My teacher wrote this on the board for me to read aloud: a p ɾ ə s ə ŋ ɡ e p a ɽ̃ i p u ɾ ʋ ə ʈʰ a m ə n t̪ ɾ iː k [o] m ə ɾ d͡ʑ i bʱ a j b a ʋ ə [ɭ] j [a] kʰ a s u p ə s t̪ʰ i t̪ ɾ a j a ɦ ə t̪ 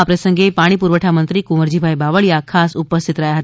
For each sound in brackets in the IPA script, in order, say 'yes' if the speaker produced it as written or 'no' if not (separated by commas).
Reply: no, yes, yes